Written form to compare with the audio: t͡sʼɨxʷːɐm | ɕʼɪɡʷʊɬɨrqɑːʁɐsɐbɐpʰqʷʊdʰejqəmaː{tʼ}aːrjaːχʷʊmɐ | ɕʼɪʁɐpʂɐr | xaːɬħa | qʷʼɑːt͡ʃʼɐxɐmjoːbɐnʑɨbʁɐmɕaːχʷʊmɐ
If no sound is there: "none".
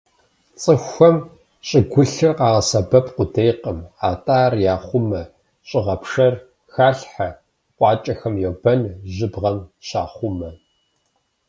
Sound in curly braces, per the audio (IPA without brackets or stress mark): tʼ